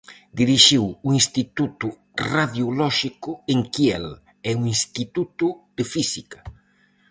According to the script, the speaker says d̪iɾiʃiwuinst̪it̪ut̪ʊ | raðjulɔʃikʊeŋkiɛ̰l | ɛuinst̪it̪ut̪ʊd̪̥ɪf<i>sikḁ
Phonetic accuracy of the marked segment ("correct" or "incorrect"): correct